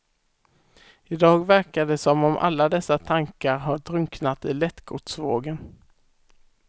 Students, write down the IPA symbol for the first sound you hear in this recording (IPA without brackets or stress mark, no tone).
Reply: ɪ